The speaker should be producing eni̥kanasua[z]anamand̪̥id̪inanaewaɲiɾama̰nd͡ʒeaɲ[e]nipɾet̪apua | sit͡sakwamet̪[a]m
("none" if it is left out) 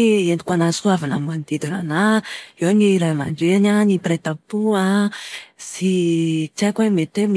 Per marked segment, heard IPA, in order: v, a, e

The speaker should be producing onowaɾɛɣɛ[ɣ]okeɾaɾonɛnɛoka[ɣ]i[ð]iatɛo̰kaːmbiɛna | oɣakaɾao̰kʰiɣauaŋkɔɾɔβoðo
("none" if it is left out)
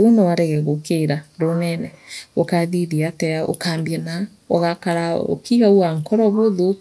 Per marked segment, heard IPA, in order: ɣ, ð, ð

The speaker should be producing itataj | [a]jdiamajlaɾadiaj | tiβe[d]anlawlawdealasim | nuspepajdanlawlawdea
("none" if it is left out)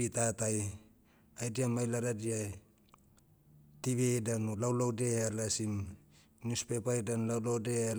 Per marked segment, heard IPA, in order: a, d

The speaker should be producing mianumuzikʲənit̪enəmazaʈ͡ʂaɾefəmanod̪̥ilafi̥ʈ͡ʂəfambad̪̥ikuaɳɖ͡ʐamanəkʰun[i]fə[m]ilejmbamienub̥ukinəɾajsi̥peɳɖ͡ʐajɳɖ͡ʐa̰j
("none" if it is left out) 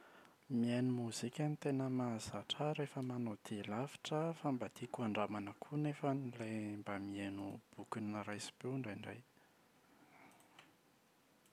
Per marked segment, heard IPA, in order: e, n

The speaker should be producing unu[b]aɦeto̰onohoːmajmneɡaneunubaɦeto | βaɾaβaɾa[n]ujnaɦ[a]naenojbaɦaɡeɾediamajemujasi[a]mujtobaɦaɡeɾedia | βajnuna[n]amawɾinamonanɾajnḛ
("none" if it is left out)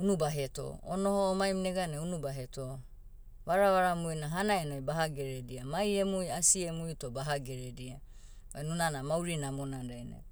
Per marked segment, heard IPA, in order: b, m, a, e, n

